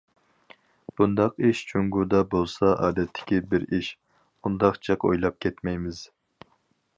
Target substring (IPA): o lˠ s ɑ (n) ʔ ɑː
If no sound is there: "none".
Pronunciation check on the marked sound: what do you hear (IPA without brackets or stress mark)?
none